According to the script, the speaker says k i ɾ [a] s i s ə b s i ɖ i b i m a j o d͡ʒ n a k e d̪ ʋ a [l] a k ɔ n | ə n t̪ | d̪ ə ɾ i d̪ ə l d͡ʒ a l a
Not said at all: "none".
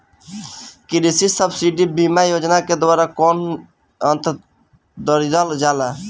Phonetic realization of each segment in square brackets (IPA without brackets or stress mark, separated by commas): i, ɾ